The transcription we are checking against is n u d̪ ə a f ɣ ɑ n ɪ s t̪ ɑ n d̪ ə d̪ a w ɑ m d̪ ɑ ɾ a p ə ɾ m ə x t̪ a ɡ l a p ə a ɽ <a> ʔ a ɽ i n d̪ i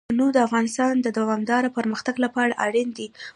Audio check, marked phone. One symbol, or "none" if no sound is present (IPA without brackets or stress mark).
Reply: a